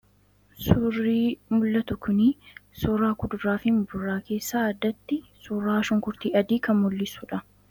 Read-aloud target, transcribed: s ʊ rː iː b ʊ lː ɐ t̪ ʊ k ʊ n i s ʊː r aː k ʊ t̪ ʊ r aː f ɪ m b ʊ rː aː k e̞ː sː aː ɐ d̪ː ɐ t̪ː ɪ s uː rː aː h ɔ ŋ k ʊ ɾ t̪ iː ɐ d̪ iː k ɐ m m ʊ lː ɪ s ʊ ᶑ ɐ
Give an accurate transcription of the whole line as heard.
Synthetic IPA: s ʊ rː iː m ʊ lː ɐ t̪ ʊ k ʊ n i s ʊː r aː k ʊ d̪ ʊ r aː f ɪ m b ʊ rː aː k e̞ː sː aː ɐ d̪ː ɐ t̪ː ɪ s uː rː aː ʃ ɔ ŋ k ʊ ɾ t̪ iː ɐ d̪ iː k ɐ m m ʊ lː ɪ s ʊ ᶑ ɐ